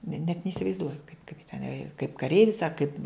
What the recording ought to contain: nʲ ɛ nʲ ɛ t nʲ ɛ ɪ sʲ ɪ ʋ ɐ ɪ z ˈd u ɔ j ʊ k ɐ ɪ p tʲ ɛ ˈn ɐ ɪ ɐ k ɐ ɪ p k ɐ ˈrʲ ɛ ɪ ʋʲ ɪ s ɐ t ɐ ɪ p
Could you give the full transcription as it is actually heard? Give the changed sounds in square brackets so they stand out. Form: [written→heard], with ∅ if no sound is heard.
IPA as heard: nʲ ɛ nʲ ɛ t nʲ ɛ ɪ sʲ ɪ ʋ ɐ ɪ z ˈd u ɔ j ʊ k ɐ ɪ p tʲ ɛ ˈn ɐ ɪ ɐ k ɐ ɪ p k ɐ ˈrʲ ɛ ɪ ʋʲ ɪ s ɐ [t→k] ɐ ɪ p